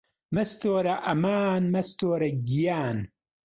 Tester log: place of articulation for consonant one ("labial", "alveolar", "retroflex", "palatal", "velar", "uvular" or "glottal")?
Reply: labial